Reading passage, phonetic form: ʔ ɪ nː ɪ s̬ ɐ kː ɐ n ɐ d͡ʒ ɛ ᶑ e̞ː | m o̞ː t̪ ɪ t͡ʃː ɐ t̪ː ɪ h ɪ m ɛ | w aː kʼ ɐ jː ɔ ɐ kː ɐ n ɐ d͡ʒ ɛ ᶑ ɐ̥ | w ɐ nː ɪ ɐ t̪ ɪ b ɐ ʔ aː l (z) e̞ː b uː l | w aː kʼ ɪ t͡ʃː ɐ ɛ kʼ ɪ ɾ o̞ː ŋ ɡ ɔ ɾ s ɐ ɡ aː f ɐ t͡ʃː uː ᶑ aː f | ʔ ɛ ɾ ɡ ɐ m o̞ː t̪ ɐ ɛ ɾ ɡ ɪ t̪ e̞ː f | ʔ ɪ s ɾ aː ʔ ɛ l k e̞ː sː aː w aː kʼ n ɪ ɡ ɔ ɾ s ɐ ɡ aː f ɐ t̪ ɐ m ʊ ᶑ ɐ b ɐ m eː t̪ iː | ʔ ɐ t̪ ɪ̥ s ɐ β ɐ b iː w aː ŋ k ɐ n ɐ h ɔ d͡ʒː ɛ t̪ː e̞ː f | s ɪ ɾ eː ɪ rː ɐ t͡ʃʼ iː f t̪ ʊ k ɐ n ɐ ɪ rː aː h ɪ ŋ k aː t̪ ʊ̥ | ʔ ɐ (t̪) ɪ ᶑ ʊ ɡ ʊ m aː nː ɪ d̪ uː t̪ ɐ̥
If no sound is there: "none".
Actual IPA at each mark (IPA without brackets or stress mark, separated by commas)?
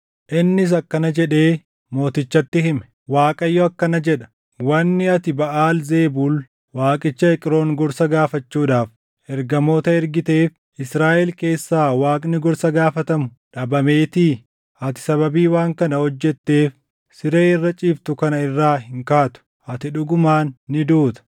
z, t̪